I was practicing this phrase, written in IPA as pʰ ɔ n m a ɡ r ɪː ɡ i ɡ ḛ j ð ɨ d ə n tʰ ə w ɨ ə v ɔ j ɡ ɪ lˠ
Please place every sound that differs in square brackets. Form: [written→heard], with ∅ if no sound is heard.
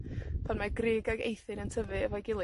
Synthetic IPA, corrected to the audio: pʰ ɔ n m a ɡ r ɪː ɡ [i→a] ɡ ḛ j [ð→θ] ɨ [d→n] ə n tʰ ə [w→v] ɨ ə v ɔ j ɡ ɪ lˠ